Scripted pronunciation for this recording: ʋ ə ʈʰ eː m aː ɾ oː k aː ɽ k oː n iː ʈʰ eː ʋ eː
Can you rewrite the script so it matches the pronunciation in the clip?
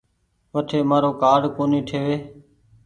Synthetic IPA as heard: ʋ ə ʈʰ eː m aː ɾ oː k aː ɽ k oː n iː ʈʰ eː ʋ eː